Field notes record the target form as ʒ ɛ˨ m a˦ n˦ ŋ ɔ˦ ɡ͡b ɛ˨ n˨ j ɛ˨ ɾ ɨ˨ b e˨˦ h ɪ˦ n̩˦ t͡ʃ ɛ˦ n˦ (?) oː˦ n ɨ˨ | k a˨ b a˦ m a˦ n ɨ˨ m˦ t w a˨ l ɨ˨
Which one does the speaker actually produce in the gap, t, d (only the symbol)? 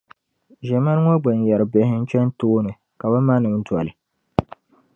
t